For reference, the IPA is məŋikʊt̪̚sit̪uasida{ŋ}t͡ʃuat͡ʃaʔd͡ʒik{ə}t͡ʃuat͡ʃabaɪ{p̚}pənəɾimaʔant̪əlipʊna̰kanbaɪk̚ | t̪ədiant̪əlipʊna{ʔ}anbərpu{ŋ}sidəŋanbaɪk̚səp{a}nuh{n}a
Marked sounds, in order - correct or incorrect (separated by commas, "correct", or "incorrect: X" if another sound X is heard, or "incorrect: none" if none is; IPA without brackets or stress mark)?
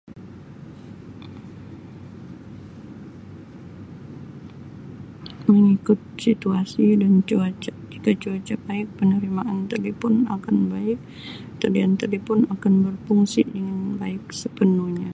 incorrect: n, incorrect: a, incorrect: k̚, incorrect: k, correct, incorrect: ə, incorrect: ɲ